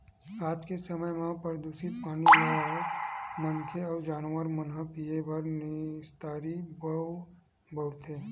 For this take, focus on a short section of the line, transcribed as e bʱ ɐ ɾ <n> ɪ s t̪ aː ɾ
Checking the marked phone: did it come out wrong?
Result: no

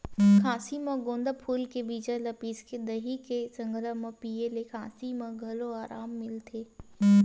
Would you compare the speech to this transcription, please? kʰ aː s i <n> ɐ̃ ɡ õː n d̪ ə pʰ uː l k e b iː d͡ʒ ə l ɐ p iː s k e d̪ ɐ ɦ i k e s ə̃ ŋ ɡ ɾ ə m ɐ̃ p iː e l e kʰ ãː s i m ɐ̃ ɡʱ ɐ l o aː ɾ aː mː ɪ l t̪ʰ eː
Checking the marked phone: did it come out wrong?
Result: yes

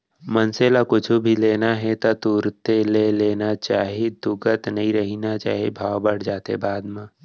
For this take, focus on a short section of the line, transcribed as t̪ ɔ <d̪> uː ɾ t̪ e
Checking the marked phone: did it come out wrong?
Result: yes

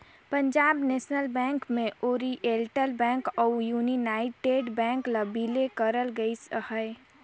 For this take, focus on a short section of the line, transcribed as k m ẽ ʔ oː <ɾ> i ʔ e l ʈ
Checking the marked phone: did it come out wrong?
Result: no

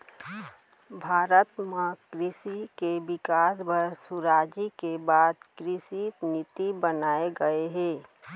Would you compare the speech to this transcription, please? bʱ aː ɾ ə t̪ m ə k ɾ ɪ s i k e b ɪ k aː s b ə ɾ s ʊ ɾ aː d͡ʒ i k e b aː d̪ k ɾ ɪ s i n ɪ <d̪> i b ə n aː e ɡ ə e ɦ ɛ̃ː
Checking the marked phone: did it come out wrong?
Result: yes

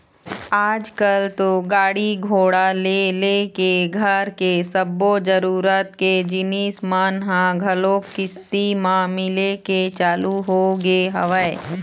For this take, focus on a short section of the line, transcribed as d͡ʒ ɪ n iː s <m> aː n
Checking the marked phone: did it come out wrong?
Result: no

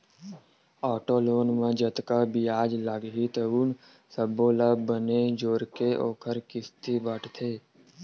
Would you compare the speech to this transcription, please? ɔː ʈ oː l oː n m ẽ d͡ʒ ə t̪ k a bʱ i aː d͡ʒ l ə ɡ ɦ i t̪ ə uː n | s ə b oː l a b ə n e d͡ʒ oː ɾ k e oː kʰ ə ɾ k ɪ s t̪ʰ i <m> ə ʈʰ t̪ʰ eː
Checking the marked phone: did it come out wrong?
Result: yes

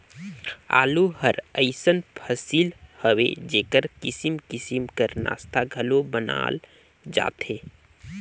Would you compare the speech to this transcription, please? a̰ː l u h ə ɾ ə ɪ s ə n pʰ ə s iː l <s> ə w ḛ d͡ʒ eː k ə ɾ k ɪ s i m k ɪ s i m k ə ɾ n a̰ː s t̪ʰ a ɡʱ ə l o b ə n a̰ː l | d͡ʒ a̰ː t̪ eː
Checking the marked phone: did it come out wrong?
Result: yes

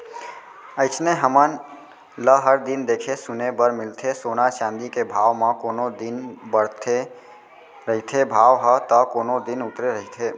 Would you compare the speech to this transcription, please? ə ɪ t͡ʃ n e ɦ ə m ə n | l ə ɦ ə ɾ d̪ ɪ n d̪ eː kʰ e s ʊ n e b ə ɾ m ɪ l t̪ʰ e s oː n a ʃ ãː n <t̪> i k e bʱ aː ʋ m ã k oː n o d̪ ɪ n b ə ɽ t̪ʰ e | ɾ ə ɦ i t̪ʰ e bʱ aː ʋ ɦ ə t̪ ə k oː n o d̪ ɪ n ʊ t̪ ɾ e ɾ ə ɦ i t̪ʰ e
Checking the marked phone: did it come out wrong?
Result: yes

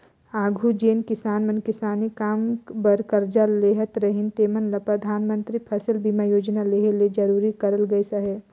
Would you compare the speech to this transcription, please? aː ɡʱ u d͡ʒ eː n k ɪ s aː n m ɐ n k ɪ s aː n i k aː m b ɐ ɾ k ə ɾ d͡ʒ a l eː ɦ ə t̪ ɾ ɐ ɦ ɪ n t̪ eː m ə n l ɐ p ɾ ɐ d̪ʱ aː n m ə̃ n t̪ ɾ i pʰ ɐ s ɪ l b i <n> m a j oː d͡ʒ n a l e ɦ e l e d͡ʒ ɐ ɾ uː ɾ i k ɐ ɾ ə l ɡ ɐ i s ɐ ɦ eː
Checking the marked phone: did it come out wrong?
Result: yes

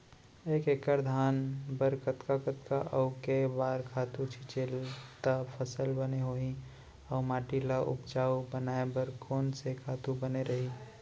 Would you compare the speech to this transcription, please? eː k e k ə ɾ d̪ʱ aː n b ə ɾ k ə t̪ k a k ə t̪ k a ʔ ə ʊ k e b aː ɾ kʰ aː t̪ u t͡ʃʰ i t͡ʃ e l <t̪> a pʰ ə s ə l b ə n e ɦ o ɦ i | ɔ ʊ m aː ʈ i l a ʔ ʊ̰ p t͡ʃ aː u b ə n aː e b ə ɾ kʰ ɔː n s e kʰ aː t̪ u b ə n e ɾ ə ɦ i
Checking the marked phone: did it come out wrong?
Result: no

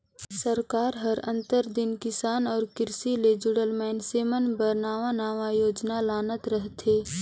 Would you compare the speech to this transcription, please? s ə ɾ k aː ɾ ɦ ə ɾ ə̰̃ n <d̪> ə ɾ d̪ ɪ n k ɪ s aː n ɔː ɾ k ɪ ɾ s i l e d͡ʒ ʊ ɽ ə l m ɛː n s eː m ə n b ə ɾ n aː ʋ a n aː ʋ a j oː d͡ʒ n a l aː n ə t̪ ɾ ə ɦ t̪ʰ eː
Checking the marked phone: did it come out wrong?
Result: yes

